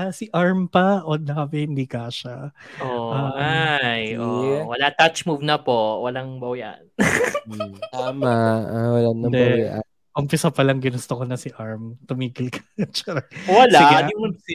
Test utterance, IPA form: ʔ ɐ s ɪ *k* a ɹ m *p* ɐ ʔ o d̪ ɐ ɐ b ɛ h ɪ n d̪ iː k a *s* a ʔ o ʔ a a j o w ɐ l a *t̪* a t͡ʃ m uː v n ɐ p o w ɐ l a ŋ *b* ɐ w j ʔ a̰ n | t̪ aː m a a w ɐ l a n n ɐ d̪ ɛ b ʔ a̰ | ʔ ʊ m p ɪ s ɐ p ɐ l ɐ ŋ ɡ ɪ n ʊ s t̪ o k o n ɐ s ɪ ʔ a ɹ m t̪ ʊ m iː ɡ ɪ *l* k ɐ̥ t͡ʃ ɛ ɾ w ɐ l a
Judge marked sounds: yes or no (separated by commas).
no, yes, no, yes, yes, yes